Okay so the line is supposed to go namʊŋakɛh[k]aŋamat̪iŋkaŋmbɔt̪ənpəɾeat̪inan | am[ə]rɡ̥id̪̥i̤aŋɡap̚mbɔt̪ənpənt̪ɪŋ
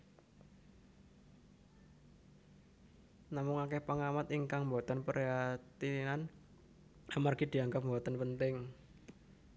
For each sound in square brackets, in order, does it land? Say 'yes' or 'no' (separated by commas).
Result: no, no